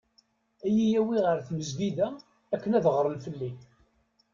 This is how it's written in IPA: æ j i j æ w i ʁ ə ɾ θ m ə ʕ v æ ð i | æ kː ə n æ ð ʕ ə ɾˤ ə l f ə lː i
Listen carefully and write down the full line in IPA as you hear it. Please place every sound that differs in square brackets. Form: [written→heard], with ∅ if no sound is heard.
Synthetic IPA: æ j i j æ w i ʁ ə ɾ θ m ə [ʕ→z] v [æ→i] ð [i→æ] | æ kː ə n æ ð [ʕ→ʁ] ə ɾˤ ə l f ə lː i